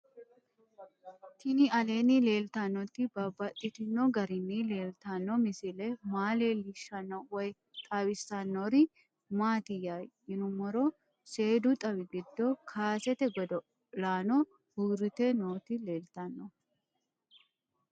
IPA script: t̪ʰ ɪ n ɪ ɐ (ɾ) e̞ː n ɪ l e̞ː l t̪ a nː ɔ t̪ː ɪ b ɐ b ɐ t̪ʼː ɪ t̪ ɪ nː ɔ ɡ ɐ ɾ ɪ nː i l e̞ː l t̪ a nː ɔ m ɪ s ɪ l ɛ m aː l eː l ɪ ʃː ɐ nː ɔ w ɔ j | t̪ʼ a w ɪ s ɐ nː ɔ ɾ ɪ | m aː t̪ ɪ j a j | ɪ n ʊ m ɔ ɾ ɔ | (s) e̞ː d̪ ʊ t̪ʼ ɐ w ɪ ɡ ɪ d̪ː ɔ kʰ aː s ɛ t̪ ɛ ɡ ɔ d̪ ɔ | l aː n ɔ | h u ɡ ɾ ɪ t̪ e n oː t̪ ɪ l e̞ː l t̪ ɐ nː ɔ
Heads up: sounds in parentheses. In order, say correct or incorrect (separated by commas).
incorrect, correct